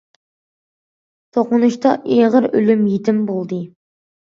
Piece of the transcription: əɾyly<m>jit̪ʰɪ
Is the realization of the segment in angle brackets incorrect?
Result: no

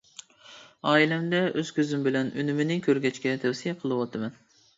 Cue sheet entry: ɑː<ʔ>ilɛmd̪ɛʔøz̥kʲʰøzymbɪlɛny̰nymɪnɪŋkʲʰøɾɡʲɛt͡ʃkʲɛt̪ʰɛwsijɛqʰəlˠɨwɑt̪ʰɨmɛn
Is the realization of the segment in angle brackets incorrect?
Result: yes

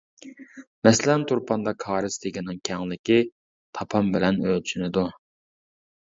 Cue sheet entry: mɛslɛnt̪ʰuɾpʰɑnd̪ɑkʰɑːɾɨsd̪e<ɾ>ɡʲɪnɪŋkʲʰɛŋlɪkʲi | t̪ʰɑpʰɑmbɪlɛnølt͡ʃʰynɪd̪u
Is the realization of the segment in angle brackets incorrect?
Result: yes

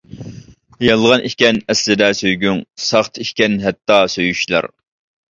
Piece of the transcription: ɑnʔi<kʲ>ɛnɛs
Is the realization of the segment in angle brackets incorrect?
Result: no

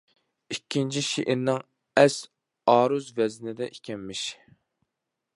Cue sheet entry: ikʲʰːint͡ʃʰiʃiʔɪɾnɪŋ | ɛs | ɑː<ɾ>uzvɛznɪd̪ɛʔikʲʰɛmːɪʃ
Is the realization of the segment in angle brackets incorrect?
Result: no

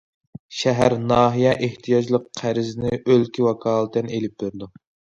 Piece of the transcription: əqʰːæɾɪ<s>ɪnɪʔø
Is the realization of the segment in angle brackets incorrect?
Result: yes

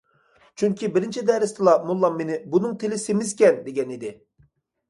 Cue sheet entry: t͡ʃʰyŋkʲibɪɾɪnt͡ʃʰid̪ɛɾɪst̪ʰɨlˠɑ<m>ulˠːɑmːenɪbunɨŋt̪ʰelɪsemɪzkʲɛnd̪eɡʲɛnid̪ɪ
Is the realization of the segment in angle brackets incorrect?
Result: no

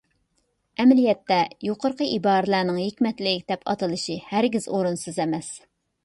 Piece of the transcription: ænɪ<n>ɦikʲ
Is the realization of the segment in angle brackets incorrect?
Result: yes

